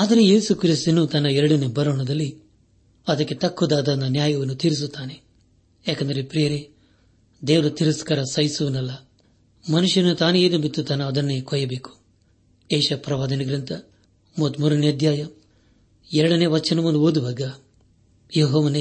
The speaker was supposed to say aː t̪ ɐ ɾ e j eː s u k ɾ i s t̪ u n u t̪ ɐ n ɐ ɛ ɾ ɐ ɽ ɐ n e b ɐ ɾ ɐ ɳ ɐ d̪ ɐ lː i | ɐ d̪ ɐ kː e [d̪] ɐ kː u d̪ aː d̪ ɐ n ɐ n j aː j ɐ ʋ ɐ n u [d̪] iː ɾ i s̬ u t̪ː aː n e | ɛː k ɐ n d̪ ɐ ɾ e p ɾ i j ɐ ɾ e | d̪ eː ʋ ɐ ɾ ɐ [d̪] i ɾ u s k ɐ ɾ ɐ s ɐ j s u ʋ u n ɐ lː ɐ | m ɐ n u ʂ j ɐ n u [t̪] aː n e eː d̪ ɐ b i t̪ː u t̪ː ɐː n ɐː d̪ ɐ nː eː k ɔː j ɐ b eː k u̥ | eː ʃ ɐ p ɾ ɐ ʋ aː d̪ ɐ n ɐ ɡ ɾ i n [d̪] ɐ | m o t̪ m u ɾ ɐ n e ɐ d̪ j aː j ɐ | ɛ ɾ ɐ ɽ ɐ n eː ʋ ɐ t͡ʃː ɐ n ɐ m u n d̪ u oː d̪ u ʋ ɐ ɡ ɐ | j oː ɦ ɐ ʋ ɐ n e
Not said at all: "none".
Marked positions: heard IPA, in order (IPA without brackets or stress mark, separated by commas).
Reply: t̪, t̪, t̪, t̪, t̪